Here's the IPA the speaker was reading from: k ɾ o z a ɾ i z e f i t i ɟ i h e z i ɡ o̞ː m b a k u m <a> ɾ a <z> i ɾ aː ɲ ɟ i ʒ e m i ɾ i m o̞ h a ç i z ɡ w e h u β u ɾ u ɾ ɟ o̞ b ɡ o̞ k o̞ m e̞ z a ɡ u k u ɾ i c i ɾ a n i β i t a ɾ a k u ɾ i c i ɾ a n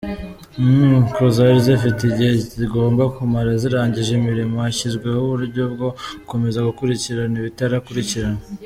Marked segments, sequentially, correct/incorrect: correct, correct

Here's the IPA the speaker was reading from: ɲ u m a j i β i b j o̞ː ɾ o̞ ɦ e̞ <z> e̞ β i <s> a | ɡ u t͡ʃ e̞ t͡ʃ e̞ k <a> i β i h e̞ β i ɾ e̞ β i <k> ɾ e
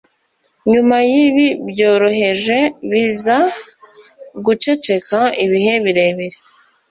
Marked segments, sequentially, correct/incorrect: incorrect, incorrect, correct, incorrect

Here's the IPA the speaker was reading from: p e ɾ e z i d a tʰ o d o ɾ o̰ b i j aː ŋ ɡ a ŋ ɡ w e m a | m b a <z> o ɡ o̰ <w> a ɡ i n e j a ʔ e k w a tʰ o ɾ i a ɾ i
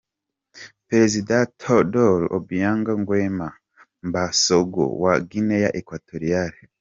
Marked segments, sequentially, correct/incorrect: incorrect, correct

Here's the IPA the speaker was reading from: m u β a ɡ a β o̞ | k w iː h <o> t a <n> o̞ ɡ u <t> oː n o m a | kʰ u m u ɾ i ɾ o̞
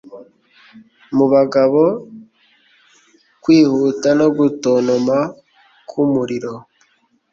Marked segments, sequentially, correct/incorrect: incorrect, correct, correct

